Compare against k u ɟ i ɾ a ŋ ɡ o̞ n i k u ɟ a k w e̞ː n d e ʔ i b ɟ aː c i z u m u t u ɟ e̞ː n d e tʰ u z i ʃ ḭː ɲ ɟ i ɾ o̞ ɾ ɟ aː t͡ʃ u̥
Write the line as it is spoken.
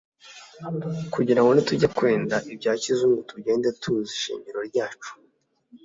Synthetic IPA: k u ɟ i ɾ a ŋ ɡ o̞ n i t u ɟ a k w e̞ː n d a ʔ i b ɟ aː c i z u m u t u ɟ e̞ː n d e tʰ u z i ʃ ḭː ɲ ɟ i ɾ o̞ ɾ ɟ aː t͡ʃ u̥